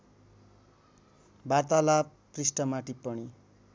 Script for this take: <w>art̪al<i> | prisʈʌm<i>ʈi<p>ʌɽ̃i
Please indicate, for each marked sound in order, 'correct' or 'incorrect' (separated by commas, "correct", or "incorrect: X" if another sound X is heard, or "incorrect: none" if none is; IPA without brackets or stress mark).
incorrect: b, incorrect: a, incorrect: a, correct